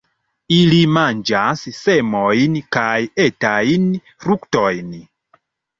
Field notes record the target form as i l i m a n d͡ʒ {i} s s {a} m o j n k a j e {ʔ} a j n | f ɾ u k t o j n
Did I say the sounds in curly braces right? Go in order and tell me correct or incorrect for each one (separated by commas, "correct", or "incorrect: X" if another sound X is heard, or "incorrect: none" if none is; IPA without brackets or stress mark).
incorrect: a, incorrect: e, incorrect: t